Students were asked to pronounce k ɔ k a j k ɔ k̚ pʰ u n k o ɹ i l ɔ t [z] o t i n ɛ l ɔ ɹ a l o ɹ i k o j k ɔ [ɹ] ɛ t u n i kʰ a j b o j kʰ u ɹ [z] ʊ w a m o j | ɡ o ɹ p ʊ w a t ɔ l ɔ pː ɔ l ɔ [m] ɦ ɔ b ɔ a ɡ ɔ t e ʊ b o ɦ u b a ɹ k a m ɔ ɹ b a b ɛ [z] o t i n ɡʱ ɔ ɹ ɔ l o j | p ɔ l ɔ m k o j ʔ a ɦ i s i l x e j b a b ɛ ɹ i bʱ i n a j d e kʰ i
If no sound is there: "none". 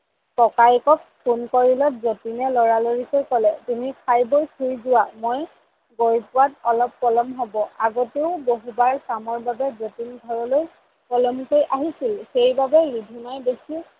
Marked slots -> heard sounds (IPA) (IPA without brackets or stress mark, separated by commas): z, l, z, m, z